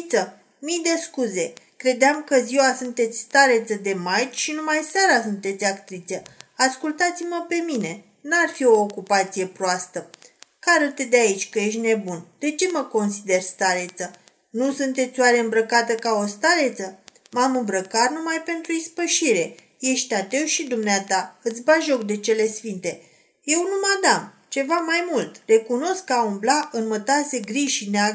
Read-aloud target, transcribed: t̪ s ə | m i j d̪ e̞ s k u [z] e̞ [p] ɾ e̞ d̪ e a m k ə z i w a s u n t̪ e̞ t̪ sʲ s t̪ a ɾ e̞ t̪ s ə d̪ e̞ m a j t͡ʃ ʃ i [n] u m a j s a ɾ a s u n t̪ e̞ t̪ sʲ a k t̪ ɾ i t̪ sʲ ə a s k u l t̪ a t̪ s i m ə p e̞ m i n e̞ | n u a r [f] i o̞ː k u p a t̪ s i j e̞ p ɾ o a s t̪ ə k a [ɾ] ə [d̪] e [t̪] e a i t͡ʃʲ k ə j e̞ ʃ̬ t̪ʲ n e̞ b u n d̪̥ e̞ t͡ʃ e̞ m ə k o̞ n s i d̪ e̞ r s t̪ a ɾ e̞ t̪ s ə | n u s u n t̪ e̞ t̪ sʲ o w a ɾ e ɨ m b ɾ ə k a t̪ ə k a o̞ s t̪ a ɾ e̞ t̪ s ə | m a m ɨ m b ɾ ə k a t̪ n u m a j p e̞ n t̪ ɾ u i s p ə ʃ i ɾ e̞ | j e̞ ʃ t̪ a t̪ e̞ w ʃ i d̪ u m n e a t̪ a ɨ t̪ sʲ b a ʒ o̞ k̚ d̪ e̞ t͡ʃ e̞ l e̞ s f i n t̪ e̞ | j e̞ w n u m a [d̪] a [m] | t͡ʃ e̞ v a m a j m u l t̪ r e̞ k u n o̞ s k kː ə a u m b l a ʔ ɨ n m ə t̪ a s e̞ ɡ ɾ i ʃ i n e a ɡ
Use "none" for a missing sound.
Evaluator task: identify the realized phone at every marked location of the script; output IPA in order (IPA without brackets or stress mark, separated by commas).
z, k, n, f, ɾ, t̪, d̪, d̪, m